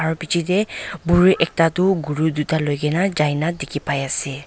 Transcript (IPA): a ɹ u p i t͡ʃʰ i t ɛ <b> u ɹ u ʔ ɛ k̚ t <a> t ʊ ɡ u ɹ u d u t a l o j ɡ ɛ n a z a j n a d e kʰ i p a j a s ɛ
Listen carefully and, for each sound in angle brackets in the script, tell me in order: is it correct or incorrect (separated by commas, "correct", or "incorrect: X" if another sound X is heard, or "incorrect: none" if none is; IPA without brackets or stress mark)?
correct, correct